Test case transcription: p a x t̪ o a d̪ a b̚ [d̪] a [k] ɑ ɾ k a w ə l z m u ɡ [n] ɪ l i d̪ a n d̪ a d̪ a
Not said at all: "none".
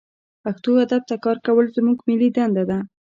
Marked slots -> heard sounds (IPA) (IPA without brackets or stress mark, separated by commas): t̪, k, m